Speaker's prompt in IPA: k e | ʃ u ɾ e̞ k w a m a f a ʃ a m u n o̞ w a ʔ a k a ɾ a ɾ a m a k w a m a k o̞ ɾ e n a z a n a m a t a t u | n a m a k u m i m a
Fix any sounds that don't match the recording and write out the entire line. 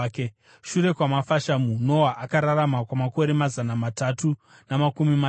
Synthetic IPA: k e | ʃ u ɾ e̞ k w a m a f a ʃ a m u n o̞ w a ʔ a k a ɾ a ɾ a m a k w a m a k o̞ ɾ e m a z a n a m a t a t u | n a m a k u m i m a